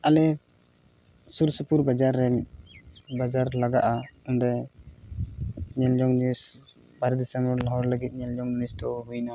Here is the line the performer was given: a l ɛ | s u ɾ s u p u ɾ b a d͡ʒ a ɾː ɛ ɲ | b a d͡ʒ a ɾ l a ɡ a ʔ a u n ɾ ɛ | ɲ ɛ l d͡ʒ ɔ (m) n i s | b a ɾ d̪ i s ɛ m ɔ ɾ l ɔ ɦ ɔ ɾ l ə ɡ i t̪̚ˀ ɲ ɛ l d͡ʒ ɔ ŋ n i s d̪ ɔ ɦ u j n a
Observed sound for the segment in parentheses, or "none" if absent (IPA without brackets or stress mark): ŋ